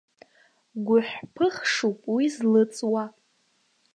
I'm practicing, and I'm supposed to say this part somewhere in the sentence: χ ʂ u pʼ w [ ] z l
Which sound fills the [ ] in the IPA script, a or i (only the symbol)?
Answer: i